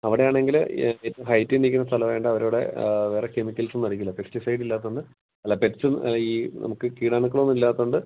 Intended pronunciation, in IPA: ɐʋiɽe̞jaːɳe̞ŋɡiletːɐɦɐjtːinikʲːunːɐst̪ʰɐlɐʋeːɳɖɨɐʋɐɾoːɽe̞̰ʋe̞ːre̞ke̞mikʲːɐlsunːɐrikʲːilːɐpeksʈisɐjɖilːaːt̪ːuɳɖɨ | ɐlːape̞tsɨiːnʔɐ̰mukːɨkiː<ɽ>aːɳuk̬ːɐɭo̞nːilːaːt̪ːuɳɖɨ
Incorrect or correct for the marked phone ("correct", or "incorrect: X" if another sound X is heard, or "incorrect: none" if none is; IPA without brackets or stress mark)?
correct